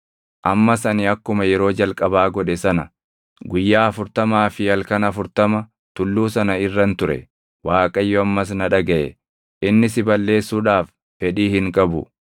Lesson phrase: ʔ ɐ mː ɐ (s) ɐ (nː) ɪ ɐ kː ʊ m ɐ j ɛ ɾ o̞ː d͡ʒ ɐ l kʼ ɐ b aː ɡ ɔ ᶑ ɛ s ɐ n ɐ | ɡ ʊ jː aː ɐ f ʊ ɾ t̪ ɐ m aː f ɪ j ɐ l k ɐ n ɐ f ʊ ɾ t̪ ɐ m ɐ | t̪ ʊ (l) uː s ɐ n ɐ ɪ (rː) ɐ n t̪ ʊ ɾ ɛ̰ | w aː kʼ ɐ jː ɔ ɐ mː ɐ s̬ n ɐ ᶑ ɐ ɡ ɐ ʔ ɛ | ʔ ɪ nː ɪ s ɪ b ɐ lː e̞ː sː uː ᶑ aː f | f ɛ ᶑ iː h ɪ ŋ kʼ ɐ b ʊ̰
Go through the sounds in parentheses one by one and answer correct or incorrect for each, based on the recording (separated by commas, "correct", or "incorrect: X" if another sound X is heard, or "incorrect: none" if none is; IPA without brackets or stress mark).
correct, incorrect: n, incorrect: lː, correct